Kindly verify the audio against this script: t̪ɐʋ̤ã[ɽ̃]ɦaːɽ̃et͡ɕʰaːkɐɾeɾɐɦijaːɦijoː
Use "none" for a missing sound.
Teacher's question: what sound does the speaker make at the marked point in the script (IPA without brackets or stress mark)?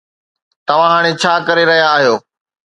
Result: none